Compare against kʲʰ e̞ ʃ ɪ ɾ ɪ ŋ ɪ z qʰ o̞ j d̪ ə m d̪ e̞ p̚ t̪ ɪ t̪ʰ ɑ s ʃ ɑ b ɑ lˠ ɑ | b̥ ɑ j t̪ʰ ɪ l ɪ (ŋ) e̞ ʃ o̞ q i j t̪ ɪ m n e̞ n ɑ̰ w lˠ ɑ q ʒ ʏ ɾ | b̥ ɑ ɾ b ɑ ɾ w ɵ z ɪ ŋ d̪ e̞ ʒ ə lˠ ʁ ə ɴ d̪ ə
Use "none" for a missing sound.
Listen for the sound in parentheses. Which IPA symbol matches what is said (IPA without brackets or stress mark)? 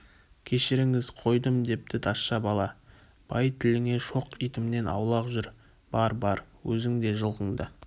ŋ